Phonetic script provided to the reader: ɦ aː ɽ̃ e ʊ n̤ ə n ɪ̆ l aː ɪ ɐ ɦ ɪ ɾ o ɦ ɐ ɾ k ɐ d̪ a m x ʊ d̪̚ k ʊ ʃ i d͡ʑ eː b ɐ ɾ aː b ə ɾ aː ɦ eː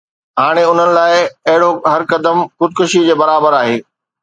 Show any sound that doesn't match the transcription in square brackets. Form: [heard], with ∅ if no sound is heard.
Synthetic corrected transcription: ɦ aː ɽ̃ e ʊ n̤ ə n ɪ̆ l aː ɪ ɐ ɦ ɪ [ɽ] o ɦ ɐ ɾ k ɐ d̪ [ə] m x ʊ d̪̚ k ʊ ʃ i d͡ʑ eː b ɐ ɾ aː b ə ɾ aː ɦ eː